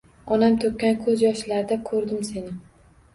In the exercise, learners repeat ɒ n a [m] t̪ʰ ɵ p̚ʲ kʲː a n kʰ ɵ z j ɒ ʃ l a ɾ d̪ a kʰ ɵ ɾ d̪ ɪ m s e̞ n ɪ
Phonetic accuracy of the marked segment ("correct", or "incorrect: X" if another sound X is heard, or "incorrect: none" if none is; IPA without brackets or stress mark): correct